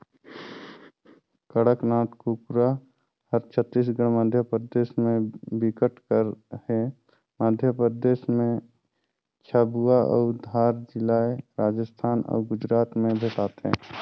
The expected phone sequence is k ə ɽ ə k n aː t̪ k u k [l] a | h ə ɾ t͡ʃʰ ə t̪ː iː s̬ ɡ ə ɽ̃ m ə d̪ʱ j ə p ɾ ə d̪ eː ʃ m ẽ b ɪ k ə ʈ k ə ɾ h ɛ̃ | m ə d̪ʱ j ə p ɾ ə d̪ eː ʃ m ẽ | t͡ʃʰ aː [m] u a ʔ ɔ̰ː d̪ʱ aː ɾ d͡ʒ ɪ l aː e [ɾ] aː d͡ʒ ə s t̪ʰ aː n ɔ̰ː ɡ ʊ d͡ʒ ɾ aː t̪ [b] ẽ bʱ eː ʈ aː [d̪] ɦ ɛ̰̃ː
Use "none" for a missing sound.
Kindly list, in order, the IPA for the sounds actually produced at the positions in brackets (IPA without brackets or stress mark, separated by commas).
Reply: ɾ, b, ɾ, m, t̪